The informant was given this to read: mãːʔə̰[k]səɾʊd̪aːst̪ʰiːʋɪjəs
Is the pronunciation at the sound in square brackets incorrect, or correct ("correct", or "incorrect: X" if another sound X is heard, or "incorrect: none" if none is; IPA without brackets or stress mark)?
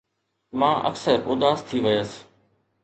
correct